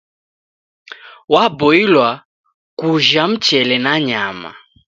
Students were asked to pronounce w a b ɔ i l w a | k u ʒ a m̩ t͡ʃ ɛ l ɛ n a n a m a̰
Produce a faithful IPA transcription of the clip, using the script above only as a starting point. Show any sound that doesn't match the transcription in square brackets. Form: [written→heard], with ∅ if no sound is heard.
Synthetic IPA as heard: w a b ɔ i l w a | k u ʒ a m̩ t͡ʃ ɛ l ɛ n a [n→ɲ] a m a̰